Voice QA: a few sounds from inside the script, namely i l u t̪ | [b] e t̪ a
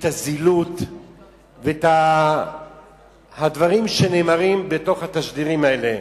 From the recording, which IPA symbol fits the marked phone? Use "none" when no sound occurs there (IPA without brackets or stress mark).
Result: v